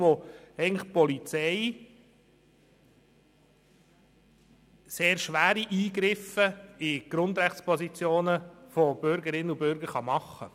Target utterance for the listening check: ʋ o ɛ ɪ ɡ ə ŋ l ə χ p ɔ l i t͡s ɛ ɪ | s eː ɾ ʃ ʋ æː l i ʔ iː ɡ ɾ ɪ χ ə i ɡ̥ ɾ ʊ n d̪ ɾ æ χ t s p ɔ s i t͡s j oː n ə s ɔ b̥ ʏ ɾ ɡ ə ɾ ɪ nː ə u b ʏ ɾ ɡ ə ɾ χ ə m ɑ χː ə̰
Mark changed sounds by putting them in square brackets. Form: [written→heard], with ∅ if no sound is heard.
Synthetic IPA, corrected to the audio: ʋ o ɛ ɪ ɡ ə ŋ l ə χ p ɔ l i t͡s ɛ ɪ | s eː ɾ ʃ ʋ æː [l→ɾ] i ʔ iː ɡ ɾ ɪ [χ→f] ə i ɡ̥ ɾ ʊ n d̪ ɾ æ χ t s p ɔ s i t͡s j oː n ə [s→f] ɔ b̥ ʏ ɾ ɡ ə ɾ ɪ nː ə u b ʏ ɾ ɡ ə ɾ χ [ə→ɑ] m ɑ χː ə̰